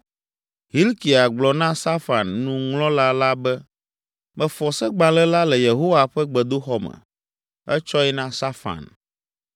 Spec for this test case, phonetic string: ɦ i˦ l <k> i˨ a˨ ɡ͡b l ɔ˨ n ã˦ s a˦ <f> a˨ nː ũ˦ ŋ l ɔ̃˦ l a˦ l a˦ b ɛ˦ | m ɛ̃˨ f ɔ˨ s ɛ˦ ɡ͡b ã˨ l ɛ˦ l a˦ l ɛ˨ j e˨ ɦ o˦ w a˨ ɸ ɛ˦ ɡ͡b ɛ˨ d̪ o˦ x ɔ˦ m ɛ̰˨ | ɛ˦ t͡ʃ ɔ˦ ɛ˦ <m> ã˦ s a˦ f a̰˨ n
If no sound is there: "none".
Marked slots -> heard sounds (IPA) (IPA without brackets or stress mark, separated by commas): k, f, n